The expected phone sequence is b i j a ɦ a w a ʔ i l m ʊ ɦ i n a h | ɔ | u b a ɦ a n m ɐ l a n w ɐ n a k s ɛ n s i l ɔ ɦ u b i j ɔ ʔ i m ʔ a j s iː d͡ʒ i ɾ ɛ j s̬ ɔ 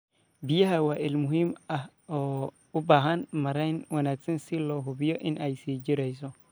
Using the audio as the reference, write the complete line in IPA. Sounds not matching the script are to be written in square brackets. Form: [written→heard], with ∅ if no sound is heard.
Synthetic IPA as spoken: b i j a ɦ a w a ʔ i l m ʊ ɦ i [n→m] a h | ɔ | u b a ɦ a n m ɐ [l→ɾ] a n w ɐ n a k s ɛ n s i l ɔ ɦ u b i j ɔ ʔ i [m→n] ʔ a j s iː d͡ʒ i ɾ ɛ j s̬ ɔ